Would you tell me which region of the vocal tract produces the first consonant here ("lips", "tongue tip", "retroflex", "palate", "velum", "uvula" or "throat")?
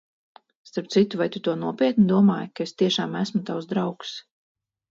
tongue tip